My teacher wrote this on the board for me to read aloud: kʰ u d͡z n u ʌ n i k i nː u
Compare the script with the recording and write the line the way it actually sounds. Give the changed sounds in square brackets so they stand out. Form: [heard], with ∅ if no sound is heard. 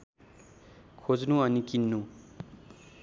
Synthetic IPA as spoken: kʰ [o] d͡z n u ʌ n i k i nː u